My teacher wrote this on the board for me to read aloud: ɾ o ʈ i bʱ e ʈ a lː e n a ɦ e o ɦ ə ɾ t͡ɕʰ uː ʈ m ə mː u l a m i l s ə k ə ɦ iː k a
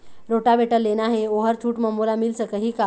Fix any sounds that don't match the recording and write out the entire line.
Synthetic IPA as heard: ɾ o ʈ a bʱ e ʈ ə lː e n a ɦ e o ɦ ə ɾ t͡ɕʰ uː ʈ m ə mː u l a m i l s ə k ə ɦ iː k a